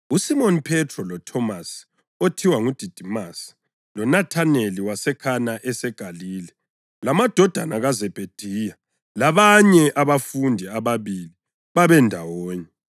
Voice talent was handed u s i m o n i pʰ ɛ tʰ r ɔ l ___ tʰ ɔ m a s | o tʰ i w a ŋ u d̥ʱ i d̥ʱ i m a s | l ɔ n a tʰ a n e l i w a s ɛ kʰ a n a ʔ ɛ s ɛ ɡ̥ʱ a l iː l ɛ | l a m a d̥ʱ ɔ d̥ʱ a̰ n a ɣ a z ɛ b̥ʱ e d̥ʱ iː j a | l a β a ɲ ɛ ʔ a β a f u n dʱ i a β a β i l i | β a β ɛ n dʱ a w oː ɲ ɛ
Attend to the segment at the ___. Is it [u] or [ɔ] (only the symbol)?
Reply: ɔ